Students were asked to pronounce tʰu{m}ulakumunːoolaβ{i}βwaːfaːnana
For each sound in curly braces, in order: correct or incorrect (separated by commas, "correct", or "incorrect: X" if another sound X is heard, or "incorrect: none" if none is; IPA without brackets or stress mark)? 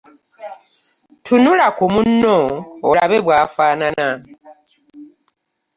incorrect: n, incorrect: e